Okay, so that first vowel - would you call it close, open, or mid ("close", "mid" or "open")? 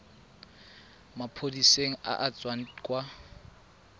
open